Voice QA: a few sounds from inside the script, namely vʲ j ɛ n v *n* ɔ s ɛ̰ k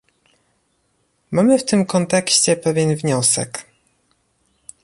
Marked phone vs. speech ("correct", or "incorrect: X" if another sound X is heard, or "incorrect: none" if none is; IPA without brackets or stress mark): incorrect: ɲ